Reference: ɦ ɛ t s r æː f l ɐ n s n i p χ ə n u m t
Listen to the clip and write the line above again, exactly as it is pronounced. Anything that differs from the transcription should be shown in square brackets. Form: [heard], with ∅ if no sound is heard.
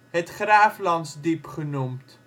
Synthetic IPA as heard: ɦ ɛ t [χ] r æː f l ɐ n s [d] i p χ ə n u m t